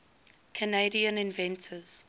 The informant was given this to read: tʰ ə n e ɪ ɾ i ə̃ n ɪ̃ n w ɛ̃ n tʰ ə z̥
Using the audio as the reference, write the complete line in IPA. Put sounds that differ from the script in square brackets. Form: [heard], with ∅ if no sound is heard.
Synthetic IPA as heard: [kʰ] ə n e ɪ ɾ i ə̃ n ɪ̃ n [v] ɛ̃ n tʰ ə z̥